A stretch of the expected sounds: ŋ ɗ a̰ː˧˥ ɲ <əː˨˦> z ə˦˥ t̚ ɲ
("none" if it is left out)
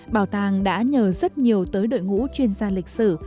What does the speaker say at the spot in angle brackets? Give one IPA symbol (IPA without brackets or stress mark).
əː˨˩